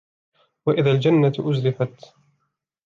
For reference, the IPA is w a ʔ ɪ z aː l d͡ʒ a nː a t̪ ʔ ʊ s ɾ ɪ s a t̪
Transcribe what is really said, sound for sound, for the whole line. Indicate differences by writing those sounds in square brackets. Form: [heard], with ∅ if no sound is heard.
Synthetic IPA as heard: w a ʔ ɪ [ð] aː l d͡ʒ a nː a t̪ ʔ ʊ [z] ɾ ɪ [f] a t̪

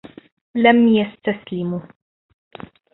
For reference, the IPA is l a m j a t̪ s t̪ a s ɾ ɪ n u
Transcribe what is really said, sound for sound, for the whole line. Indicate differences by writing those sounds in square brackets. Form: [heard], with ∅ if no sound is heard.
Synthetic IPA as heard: l a m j a [∅] s t̪ a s [l] ɪ [m] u

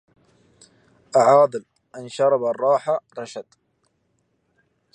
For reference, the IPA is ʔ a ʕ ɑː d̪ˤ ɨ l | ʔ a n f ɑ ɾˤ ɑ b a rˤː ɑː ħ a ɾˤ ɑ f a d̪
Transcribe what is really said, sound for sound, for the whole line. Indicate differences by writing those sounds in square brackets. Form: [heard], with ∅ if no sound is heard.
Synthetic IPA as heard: ʔ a ʕ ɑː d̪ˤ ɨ l | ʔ a n [ʃ] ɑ ɾˤ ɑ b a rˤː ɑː ħ a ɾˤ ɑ [ʃ] a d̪

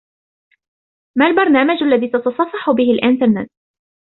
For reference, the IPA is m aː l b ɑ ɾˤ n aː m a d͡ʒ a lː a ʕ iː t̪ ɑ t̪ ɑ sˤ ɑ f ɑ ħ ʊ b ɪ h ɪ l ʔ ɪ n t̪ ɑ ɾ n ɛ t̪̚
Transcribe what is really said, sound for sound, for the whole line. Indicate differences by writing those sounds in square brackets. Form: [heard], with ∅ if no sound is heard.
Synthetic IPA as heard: m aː l b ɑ ɾˤ n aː m a d͡ʒ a lː a [ð] iː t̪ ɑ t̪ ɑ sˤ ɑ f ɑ ħ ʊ b ɪ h ɪ l ʔ ɪ n t̪ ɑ ɾ n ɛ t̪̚

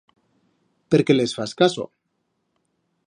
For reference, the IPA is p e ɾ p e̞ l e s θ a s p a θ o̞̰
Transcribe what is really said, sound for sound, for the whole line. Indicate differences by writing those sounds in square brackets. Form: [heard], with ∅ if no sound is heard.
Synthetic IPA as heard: p e ɾ [k] e̞ l e s [f] a s [k] a [s] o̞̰

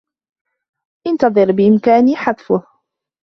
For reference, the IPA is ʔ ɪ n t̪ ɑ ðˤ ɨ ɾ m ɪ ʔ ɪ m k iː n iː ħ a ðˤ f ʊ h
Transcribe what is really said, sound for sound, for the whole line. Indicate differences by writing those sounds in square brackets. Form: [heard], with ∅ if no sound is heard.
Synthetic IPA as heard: ʔ ɪ n t̪ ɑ ðˤ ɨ ɾ [b] ɪ ʔ ɪ m k [aː] n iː ħ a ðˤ f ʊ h

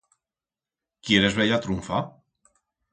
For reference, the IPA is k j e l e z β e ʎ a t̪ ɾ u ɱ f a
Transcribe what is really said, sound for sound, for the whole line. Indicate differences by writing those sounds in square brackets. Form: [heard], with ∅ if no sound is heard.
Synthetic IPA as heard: k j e [ɾ] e z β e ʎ a t̪ ɾ u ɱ f a

